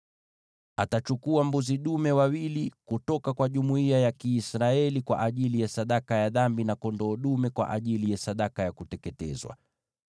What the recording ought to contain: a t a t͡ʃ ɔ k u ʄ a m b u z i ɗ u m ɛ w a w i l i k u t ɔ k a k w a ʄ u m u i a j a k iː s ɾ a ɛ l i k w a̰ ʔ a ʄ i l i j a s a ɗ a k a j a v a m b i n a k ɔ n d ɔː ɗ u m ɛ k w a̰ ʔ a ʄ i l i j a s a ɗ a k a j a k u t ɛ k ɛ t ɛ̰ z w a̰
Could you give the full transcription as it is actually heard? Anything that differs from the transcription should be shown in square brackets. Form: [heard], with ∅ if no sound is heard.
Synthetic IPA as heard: a t a t͡ʃ [u] k u [∅] a m b u z i ɗ u m ɛ w a w i l i k u t ɔ k a k w a ʄ u m u i a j a k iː s ɾ a ɛ l i k w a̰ ʔ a ʄ i l i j a s a ɗ a k a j a [ð] a m b i n a k ɔ n d ɔː ɗ u m ɛ k w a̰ ʔ a ʄ i l i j a s a ɗ a k a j a k u t ɛ k ɛ t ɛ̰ z w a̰